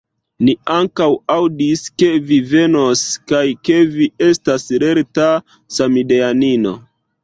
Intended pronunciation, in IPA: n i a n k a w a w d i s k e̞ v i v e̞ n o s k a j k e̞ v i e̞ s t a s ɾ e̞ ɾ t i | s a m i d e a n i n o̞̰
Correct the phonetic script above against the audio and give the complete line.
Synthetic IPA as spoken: n i a ŋ k a w a w d i s k e̞ v i v e̞ n o s k a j k e̞ v i e̞ s t a s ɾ e̞ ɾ t a | s a m i d e a n i n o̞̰